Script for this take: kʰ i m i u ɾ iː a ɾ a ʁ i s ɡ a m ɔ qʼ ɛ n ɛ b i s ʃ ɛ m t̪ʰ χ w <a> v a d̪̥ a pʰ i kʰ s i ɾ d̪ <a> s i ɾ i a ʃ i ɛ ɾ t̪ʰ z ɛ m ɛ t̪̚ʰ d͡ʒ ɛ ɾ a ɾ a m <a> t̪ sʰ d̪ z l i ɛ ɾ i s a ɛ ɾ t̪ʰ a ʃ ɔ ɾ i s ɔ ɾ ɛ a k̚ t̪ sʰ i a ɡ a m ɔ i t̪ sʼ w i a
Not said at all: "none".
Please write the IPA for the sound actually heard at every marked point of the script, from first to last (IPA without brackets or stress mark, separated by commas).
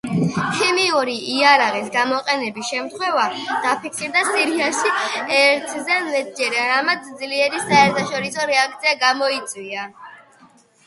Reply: ɛ, a, a